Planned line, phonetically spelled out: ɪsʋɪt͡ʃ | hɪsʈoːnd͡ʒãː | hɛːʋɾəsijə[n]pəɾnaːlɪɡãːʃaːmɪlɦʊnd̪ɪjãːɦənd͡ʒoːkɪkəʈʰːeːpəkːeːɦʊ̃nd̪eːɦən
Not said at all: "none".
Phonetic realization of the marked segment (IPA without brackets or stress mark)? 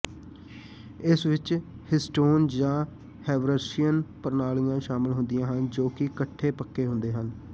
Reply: n